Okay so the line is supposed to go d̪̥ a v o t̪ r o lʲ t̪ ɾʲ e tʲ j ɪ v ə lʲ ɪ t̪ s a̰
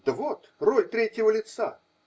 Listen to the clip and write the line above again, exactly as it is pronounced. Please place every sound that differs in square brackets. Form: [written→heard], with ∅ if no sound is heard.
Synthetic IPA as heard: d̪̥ [a→ə] v o t̪ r o lʲ t̪ ɾʲ e tʲ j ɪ v ə lʲ ɪ t̪ s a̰